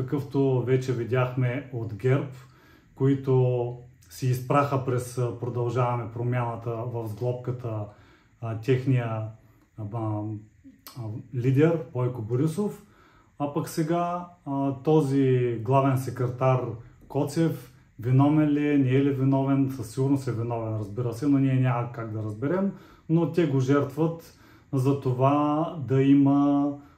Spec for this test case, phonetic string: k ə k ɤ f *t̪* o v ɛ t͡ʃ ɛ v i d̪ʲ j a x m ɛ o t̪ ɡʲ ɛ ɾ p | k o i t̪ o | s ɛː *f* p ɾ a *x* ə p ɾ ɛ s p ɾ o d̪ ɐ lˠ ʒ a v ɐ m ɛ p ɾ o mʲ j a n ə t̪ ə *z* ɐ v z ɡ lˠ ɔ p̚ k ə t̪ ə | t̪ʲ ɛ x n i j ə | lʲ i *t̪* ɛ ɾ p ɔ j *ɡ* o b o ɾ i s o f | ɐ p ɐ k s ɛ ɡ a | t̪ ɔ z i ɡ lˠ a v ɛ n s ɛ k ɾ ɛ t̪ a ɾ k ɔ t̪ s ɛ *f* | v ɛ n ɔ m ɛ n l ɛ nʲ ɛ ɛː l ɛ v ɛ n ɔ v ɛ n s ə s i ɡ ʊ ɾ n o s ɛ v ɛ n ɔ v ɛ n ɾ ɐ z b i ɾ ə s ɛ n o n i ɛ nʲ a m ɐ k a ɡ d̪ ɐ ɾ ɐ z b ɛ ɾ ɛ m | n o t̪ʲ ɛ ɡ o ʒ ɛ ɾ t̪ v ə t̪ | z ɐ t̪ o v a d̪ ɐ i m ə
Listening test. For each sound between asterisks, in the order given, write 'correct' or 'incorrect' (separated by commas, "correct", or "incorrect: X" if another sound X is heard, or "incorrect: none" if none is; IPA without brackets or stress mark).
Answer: correct, incorrect: s, correct, incorrect: v, incorrect: d̪, incorrect: k, correct